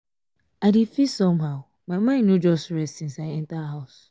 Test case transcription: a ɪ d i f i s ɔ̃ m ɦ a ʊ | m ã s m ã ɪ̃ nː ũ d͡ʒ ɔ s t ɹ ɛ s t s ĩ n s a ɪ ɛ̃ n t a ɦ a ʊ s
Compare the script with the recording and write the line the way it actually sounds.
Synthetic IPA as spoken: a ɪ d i f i s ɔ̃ m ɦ a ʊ | m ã m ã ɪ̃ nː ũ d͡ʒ ɔ s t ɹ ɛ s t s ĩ n s a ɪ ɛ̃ n t a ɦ a ʊ s